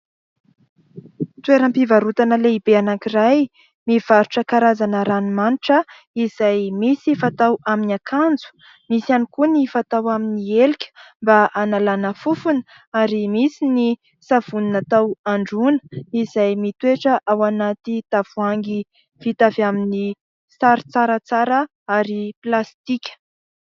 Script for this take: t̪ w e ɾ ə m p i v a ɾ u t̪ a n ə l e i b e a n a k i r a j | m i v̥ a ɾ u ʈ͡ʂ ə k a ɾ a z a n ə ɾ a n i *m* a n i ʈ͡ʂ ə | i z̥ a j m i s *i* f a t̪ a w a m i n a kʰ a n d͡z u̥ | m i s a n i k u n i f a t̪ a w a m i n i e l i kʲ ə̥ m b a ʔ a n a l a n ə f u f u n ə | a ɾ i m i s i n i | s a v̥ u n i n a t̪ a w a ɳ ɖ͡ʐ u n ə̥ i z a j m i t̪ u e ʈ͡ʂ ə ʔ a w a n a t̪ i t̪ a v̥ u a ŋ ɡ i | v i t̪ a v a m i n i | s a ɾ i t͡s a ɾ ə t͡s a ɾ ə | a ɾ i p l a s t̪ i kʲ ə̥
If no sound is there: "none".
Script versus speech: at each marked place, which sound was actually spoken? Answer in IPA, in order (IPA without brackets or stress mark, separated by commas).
m, i